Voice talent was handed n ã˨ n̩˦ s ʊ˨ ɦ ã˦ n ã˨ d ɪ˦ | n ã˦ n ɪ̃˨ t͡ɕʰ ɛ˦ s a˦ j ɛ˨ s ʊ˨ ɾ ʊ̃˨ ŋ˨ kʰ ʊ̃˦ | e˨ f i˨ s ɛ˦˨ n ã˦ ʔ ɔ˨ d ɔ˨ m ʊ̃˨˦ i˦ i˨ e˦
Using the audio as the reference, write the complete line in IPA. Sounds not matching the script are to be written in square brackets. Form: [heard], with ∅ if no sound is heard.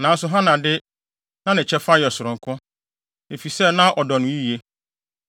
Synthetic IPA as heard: n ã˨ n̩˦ s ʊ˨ ɦ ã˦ n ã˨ d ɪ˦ | n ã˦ n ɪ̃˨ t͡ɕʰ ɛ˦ [f] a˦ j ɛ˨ s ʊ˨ ɾ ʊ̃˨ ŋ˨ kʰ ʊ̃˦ | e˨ f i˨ s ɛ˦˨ n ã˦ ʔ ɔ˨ d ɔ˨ [n] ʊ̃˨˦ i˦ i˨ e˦

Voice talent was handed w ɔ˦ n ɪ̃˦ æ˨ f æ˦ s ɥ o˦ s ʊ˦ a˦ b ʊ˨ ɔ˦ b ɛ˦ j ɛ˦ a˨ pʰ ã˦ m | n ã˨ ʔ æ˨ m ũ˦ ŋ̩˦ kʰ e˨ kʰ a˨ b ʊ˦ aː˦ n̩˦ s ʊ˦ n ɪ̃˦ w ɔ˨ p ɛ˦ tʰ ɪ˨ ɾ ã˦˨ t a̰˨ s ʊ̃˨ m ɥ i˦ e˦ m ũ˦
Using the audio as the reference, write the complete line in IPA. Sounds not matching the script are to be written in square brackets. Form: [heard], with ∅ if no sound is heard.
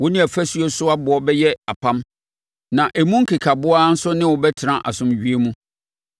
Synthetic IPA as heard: w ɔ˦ n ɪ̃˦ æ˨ f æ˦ s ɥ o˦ s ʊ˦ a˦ b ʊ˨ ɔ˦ b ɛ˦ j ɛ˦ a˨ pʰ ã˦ m | n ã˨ ʔ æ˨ m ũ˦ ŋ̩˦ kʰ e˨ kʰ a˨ b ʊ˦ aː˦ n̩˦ s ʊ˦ n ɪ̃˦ w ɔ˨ [b] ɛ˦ tʰ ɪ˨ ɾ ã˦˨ [ʔ] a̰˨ s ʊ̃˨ m ɥ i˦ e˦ m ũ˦

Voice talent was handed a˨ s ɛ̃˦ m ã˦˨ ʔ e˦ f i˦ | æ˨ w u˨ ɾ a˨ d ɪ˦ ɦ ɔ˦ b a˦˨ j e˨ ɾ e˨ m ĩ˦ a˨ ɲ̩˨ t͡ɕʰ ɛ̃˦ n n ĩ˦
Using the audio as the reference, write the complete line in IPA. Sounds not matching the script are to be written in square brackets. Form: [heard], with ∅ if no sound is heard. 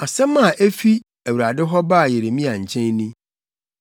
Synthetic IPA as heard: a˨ s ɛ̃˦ m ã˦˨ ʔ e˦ f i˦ | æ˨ w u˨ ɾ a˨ d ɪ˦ ɦ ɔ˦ b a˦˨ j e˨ ɾ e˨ m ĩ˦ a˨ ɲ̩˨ t͡ɕʰ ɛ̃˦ n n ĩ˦

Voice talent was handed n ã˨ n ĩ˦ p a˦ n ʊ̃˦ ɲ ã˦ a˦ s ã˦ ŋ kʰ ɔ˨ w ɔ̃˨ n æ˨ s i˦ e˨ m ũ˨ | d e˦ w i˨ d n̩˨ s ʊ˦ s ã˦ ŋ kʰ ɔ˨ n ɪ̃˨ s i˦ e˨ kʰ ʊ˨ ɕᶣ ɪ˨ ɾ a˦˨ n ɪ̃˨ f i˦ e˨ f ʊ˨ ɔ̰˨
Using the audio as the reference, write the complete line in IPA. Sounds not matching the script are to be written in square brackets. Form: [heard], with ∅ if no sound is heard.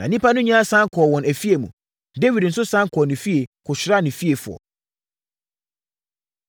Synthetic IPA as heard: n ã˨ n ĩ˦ p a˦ n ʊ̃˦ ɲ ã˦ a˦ s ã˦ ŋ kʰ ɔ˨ w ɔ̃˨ n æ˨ [f] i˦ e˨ m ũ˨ | d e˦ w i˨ d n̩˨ s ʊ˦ s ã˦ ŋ kʰ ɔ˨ n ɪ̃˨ [f] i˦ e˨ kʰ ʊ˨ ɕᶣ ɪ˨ ɾ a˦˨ n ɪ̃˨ f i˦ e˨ f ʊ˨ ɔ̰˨

